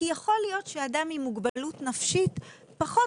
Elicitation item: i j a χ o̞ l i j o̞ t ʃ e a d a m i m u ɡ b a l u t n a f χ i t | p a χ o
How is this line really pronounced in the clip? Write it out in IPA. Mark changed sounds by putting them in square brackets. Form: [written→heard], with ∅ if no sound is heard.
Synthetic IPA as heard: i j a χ o̞ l i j o̞ t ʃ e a d a m i m u ɡ b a l u t n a f [χ→ʃ] i t | p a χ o

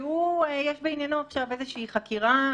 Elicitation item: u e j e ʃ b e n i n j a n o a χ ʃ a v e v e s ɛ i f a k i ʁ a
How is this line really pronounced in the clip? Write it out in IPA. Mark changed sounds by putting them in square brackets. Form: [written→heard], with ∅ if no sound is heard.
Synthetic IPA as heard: u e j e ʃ b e [n→∅] i n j a n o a χ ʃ a v e [v→z] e [s→ʃ] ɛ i [f→χ] a k i ʁ a

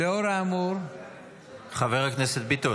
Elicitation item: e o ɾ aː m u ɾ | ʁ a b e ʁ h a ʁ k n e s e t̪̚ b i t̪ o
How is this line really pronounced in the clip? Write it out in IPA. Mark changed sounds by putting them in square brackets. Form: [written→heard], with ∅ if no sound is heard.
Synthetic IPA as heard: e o ɾ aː m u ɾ | [ʁ→χ] a [b→v] e ʁ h a [ʁ→∅] k n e s e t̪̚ b i t̪ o

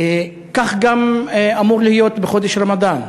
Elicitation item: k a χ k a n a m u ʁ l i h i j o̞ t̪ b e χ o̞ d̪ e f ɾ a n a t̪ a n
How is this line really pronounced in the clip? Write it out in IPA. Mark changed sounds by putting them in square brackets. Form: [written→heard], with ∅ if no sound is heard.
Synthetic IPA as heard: k a χ [k→ɡ] a [n→m] a m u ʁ l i h i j o̞ t̪ b e χ o̞ d̪ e [f→ʃ] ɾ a [n→m] a [t̪→d̪] a n

